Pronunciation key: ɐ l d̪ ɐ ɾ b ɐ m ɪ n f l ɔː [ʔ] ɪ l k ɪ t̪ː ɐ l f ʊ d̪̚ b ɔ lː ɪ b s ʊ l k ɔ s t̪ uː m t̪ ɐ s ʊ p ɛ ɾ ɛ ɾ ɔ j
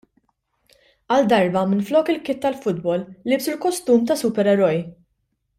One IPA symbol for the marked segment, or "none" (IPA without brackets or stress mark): k